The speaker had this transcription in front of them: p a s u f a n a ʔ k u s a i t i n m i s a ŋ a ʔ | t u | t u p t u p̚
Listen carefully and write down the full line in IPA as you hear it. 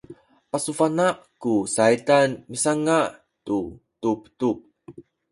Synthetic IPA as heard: p a s u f a n a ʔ k u s a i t a n m i s a ŋ a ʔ | t u | t u p t u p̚